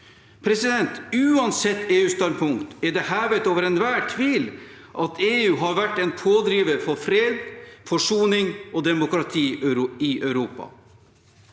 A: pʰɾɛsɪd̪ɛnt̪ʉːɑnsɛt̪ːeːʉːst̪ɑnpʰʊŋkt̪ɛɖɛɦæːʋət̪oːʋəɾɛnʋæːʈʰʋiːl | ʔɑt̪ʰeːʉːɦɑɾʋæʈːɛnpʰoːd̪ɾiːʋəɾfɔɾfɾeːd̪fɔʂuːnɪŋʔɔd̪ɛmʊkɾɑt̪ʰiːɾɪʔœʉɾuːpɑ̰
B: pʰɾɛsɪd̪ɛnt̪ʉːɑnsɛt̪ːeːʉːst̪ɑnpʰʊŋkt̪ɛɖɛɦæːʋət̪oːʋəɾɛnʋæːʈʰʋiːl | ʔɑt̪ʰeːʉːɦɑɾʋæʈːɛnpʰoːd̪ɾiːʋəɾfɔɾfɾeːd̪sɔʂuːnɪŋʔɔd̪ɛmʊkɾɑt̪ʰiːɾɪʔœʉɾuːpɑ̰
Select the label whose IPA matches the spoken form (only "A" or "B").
A